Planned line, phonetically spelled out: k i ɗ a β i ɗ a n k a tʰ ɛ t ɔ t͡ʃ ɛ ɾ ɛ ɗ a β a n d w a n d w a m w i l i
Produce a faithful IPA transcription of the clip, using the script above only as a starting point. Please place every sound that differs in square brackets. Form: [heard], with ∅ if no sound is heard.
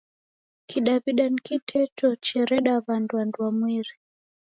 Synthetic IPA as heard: k i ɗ a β i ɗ a n k [i] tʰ ɛ t ɔ t͡ʃ ɛ ɾ ɛ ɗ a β a n d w a n d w a m w i [ɾ] i